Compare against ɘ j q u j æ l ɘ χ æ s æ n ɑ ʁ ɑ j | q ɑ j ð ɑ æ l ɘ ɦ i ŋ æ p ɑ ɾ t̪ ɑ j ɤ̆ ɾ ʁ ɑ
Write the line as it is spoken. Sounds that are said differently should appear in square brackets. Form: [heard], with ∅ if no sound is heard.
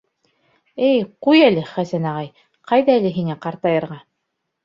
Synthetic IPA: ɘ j q u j æ l ɘ χ æ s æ n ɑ ʁ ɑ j | q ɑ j ð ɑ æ l ɘ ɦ i ŋ æ [q] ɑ ɾ t̪ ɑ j ɤ̆ ɾ ʁ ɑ